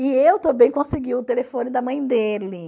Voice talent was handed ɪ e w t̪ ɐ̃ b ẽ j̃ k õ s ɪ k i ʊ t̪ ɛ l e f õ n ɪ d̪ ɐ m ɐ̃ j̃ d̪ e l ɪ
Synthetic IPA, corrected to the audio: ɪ e w t̪ ɐ̃ b ẽ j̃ k õ s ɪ ɡ i ʊ t̪ e l e f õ n ɪ d̪ ɐ m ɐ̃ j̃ d̪ e l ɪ

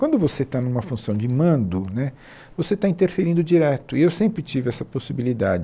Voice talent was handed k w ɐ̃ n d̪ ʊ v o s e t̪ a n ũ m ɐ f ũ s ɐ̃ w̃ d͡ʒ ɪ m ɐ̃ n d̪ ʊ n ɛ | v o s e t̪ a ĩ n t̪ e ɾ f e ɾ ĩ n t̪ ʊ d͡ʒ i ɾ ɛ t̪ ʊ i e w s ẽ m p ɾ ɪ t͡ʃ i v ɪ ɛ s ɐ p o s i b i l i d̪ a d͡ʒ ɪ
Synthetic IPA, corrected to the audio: k w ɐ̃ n d̪ ʊ v o s e t̪ a n ũ m ɐ f ũ s ɐ̃ w̃ d͡ʒ ɪ m ɐ̃ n d̪ ʊ n ɛ | v o s e t̪ a ĩ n t̪ e ɾ f e ɾ ĩ n d̪ ʊ d͡ʒ i ɾ ɛ t̪ ʊ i e w s ẽ m p ɾ ɪ t͡ʃ i v ɪ ɛ s ɐ p o s i b i l i d̪ a d͡ʒ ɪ

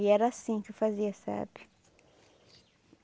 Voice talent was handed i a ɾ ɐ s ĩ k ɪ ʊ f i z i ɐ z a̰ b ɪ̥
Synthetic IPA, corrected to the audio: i ɛ ɾ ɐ s ĩ k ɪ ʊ f a z i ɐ s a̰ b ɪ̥

